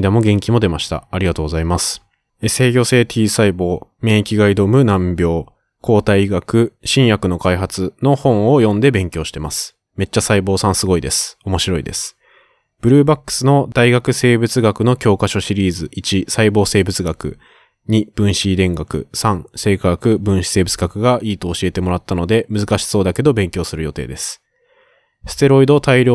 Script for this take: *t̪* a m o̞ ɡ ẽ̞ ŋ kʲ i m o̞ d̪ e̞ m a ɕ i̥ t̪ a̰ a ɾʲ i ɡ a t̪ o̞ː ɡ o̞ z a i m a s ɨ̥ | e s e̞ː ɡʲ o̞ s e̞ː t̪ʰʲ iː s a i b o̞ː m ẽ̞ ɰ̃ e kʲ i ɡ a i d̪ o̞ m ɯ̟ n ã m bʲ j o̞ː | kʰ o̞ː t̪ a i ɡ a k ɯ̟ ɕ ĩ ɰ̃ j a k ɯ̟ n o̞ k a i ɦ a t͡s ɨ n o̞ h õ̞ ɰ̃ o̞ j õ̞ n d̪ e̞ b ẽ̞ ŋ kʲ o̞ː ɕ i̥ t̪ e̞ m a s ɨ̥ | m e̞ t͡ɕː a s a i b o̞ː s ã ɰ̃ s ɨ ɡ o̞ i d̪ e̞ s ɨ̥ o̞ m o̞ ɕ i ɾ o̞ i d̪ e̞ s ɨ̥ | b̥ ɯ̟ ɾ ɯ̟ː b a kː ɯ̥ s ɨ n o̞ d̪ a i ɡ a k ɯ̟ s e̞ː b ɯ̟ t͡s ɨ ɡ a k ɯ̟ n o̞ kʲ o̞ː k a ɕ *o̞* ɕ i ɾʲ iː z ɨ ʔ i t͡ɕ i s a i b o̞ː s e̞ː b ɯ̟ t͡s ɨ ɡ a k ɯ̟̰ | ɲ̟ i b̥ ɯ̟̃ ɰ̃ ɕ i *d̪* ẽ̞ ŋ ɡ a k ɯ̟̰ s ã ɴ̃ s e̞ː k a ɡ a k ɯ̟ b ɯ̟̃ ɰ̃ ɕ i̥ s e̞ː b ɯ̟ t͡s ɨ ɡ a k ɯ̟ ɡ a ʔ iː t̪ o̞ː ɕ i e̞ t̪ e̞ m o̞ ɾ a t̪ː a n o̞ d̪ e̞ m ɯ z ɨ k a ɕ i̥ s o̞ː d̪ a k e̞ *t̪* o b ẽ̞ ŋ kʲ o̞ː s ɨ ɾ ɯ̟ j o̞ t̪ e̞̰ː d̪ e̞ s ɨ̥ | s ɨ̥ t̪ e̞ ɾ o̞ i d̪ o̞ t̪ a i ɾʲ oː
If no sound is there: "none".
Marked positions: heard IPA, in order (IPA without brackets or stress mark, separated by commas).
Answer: d̪, o̞, d̪, d̪